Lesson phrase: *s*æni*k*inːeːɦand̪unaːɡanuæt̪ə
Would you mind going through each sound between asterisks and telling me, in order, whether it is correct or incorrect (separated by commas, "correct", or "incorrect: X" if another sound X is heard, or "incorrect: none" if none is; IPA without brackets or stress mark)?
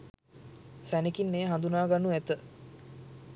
correct, correct